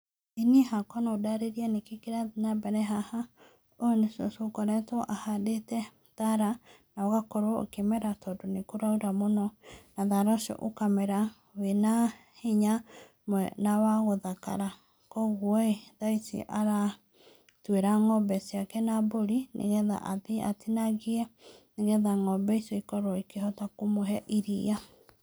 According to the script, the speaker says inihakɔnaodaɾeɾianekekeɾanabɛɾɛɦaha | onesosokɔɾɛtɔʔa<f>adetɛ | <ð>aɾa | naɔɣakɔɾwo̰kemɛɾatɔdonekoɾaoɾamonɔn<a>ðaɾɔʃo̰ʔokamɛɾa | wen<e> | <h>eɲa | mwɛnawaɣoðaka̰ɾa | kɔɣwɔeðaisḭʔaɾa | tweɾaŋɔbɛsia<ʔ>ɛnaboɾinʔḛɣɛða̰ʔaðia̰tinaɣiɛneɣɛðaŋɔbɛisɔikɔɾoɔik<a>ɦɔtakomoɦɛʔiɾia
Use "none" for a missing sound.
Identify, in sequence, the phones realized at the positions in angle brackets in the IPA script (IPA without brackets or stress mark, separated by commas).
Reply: h, ð, a, a, h, k, e